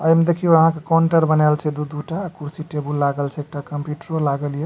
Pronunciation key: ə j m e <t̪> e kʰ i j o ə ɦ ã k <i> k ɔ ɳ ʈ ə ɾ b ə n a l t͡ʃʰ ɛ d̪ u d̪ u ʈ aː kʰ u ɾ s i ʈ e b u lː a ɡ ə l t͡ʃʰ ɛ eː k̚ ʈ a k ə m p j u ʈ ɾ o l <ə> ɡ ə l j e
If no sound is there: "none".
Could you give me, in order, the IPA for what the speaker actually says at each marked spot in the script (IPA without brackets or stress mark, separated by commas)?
d̪, e, a